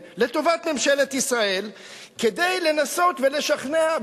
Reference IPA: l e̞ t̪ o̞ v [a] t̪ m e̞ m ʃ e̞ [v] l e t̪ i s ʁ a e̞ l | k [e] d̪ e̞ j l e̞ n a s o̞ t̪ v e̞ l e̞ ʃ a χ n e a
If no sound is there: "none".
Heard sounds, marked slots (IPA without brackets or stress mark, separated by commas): a, none, e